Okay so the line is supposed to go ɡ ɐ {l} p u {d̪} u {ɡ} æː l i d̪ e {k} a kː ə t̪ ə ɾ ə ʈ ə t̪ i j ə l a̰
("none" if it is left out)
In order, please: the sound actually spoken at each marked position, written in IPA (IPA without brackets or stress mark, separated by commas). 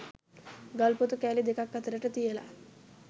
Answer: l, t̪, k, k